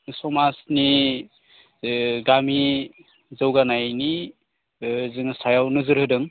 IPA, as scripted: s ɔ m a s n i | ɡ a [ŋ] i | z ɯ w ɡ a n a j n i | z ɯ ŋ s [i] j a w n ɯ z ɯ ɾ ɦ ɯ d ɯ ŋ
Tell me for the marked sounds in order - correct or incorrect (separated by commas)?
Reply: incorrect, incorrect